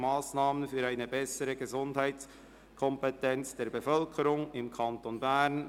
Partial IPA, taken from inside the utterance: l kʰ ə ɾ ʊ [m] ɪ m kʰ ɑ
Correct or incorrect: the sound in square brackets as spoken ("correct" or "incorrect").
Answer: incorrect